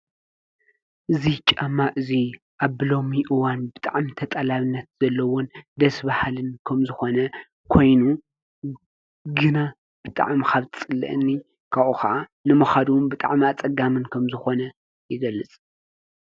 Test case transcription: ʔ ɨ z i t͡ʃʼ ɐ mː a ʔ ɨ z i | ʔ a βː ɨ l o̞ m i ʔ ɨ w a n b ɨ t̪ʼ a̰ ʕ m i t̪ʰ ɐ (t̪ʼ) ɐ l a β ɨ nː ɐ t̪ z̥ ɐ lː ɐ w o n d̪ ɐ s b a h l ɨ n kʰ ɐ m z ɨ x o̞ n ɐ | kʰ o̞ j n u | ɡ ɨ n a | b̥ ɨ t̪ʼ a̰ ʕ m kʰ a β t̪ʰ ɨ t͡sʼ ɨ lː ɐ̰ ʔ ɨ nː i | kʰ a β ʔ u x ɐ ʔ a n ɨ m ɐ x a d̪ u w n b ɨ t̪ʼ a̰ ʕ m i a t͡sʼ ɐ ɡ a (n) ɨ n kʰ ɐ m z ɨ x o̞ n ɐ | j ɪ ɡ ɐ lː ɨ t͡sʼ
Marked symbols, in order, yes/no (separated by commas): yes, no